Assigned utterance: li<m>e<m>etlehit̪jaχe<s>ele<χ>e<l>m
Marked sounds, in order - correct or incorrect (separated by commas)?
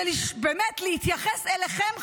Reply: incorrect, correct, correct, correct, incorrect